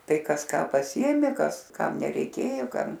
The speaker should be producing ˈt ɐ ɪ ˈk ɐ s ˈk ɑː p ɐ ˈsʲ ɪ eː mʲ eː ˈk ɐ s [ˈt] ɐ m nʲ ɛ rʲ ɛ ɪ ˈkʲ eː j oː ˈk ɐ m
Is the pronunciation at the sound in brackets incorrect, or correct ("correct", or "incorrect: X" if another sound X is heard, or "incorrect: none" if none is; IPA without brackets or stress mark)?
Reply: incorrect: k